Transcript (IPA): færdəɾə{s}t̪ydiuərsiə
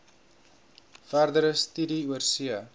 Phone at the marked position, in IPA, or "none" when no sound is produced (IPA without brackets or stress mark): s